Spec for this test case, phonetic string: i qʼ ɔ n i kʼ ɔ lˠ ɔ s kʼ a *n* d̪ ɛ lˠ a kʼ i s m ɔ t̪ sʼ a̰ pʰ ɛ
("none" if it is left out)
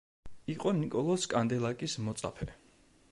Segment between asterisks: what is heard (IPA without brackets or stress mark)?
n